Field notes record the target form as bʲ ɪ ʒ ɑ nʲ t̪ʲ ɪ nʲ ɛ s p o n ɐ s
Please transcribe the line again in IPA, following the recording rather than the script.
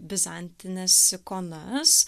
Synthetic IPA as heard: bʲ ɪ z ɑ nʲ t̪ʲ ɪ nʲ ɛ s k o n ɐ s